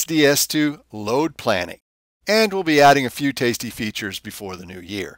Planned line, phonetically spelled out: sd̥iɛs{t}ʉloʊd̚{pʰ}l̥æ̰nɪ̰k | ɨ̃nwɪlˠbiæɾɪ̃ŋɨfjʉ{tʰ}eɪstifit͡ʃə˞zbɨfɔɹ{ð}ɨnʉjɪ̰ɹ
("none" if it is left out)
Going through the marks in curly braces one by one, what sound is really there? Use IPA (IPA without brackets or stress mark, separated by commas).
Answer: tʰ, pʰ, tʰ, ð